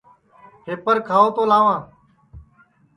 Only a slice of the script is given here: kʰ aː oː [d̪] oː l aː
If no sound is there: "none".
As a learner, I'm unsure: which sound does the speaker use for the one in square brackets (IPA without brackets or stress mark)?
t̪